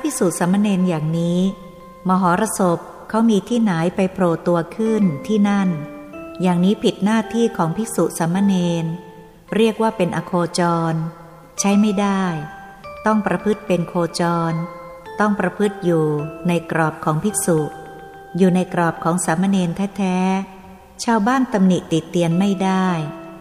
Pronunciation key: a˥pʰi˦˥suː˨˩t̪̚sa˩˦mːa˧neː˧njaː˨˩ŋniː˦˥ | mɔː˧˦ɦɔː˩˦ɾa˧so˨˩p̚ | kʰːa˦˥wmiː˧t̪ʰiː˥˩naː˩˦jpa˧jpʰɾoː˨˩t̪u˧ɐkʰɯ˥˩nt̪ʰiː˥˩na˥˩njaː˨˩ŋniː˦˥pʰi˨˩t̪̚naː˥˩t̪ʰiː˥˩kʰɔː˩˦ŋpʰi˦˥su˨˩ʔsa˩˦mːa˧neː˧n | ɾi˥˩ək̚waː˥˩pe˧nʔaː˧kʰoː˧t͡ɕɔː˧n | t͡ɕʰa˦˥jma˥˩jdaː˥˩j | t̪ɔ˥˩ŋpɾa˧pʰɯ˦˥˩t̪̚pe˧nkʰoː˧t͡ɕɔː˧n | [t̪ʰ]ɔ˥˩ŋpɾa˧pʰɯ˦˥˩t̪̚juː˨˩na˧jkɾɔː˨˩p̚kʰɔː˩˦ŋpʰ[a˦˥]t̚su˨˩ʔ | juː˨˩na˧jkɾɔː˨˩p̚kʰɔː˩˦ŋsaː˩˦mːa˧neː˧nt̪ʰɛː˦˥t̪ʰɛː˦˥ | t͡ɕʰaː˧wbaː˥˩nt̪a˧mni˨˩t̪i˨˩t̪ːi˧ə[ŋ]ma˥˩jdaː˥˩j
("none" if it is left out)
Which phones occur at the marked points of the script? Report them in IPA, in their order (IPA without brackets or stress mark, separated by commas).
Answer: t̪, i˦˥, n